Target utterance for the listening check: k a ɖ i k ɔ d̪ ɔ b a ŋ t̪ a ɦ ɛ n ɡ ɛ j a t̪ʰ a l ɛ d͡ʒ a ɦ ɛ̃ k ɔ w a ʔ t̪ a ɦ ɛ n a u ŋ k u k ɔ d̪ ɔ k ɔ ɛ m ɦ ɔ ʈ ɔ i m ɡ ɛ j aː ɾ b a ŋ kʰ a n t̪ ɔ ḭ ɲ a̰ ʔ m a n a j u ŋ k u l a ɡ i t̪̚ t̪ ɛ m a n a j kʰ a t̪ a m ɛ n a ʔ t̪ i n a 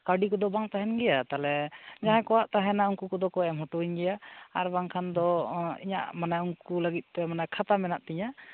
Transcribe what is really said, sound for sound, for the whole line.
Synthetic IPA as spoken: k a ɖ i k ɔ d̪ ɔ b a ŋ t̪ a ɦ ɛ n ɡ ɛ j a t̪ a l ɛ d͡ʒ a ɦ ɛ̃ k ɔ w a ʔ t̪ a ɦ ɛ n a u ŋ k u k ɔ d̪ ɔ k ɔ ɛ m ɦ ɔ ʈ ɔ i ɲ ɡ ɛ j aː ɾ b a ŋ kʰ a n d̪ ɔ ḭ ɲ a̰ ʔ m a n a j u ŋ k u l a ɡ i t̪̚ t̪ ɛ m a n a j kʰ a t̪ a m ɛ n a ʔ t̪ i ɲ a